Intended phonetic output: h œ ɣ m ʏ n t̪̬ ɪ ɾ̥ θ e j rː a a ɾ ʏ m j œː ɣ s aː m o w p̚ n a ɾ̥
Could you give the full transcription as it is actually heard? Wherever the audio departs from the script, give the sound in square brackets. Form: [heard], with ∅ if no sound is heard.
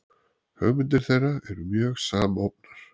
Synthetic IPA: h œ ɣ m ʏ n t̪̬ ɪ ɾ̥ θ e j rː a [ɛ] ɾ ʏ m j œː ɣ s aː m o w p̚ n a ɾ̥